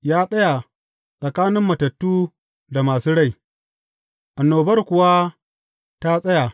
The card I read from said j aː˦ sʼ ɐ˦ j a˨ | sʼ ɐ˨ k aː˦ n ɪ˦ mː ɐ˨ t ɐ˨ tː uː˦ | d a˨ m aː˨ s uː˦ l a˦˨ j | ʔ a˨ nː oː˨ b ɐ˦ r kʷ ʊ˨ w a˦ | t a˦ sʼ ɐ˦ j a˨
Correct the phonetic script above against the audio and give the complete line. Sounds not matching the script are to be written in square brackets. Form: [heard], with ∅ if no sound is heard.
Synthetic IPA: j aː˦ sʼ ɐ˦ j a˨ | sʼ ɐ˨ k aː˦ n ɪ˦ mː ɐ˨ t ɐ˨ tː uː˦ | d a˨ m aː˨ s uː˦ [ɽ] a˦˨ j | ʔ a˨ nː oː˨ b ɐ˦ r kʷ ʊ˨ w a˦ | t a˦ sʼ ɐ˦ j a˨